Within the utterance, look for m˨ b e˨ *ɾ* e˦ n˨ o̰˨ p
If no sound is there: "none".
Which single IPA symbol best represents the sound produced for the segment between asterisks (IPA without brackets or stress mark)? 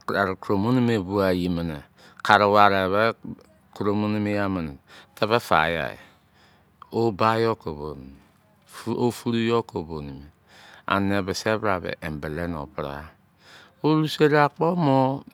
l